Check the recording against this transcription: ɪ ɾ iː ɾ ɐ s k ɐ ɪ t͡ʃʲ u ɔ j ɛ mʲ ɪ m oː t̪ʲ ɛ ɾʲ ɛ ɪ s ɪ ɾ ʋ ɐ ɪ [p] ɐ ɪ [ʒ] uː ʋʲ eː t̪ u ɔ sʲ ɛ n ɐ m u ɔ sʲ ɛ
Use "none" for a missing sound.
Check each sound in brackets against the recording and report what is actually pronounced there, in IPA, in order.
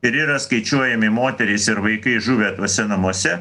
k, ʒ

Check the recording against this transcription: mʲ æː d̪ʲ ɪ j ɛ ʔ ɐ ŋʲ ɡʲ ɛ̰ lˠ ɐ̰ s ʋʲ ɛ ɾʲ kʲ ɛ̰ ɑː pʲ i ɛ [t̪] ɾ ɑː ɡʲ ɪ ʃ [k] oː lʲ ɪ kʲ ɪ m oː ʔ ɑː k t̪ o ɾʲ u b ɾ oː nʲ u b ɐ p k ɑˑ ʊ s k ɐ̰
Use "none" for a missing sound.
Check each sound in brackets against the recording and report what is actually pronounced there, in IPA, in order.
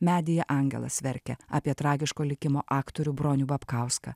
t̪, k

